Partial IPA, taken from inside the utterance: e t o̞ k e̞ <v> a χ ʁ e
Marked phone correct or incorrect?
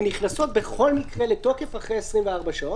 incorrect